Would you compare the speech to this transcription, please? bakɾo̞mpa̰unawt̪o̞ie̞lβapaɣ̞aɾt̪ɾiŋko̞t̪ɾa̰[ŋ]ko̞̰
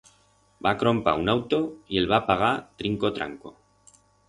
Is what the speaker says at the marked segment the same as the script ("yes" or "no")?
yes